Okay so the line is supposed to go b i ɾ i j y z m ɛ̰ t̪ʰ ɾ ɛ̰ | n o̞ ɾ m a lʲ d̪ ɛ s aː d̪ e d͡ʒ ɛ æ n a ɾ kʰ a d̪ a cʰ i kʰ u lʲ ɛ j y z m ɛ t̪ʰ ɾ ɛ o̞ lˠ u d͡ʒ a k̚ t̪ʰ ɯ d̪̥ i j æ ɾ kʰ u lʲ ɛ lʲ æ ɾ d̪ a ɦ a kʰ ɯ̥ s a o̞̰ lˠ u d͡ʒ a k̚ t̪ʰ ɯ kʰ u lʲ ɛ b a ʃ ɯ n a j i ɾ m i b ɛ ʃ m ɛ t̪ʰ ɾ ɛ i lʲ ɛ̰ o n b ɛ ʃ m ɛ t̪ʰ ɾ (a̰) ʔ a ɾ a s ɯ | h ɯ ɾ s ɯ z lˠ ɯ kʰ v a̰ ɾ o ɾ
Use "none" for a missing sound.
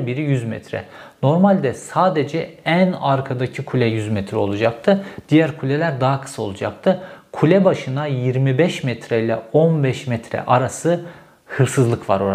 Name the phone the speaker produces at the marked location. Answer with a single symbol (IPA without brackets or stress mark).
ɛ̰